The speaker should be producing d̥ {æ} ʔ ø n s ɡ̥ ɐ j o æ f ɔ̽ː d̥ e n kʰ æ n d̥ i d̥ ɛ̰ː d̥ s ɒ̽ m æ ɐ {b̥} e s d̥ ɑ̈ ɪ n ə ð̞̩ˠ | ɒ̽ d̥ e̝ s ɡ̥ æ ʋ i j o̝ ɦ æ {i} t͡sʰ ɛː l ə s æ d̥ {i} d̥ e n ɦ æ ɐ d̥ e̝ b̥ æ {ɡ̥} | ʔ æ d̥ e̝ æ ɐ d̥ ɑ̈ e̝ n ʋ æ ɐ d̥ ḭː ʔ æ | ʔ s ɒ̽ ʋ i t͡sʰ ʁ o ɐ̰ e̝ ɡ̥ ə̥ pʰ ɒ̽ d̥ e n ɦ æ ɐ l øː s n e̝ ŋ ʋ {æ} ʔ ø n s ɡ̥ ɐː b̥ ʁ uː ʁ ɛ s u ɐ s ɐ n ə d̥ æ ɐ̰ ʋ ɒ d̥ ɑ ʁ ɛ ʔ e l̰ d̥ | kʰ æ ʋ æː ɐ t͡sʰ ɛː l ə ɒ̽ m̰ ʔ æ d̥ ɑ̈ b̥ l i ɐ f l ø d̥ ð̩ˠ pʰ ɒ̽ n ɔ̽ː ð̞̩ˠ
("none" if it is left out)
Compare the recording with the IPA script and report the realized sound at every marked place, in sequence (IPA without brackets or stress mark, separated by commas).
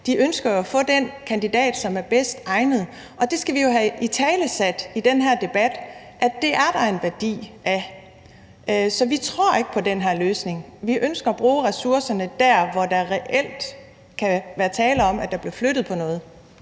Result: i, b̥, i, i, d̥, i